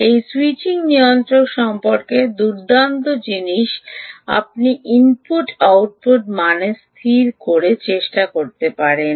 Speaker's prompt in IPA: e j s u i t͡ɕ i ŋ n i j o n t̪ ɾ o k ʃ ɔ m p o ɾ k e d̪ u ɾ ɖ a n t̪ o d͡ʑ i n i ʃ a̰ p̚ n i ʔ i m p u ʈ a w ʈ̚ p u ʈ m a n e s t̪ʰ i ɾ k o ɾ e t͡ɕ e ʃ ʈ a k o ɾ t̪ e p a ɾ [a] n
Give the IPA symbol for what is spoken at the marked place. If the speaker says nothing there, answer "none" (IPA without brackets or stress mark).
e